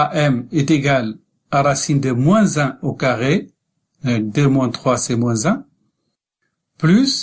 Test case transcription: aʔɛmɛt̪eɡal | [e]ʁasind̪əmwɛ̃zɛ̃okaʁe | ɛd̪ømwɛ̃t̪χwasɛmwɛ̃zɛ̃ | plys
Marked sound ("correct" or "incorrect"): incorrect